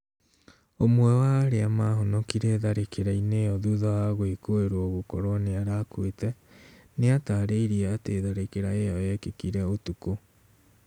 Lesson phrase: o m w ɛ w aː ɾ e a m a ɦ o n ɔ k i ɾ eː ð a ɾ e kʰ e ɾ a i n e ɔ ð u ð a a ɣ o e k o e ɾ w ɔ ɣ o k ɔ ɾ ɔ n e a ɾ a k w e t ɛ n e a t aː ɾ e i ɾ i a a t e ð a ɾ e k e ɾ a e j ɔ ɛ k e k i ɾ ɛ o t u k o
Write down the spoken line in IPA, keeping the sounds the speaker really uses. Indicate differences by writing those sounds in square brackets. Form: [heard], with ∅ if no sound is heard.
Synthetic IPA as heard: o m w ɛ w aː ɾ e a m a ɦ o n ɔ k i ɾ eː ð a ɾ e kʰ e ɾ a i n e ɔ ð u ð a a ɣ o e k o e ɾ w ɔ ɣ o k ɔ ɾ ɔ n e a ɾ a k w e t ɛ n e a t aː ɾ e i ɾ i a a t e ð a ɾ e k e ɾ a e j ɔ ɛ k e k i ɾ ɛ o t u k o